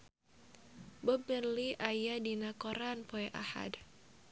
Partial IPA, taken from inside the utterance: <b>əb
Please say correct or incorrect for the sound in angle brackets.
correct